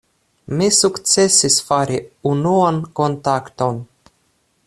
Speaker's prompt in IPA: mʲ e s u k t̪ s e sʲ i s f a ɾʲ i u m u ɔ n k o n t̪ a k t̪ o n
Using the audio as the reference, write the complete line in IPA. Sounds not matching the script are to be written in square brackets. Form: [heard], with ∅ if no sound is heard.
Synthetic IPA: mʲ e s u k t̪ s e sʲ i s f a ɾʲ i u [n] u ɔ n k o n t̪ a k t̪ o n